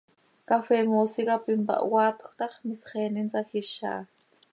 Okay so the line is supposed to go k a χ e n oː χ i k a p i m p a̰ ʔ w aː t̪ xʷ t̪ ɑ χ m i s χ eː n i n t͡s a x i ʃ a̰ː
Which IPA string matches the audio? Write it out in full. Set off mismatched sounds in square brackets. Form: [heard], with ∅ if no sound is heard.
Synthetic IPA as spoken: k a [f] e [m] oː [s] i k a p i m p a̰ ʔ w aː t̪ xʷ t̪ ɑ χ m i s χ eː n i n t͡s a x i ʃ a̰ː